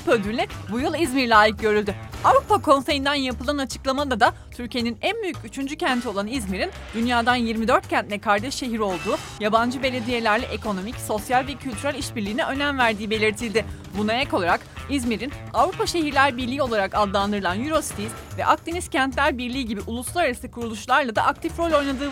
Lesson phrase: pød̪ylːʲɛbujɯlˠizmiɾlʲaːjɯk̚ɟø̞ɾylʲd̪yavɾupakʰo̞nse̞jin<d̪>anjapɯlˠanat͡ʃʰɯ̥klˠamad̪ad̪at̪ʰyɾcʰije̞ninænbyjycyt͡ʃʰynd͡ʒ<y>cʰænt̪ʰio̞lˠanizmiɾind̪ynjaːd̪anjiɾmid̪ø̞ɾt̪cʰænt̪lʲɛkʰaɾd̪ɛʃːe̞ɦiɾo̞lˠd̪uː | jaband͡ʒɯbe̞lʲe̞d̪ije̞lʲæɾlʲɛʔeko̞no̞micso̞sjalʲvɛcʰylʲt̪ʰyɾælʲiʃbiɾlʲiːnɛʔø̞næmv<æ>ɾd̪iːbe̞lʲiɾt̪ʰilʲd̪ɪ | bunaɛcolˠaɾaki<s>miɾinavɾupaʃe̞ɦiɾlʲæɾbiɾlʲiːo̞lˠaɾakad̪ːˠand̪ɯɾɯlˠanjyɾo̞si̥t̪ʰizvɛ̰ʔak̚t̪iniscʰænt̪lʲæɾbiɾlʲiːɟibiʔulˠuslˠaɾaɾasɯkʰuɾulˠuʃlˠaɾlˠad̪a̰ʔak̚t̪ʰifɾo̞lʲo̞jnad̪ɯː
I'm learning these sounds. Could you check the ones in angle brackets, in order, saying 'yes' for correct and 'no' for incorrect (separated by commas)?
yes, yes, yes, no